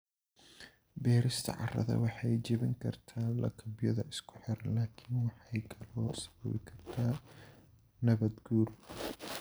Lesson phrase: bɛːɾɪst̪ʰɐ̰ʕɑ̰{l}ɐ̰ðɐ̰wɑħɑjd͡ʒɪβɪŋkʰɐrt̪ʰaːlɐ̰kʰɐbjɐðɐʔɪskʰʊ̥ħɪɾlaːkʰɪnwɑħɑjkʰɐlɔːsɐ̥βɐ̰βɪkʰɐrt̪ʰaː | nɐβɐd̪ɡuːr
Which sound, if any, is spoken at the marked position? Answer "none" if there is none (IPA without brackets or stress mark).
r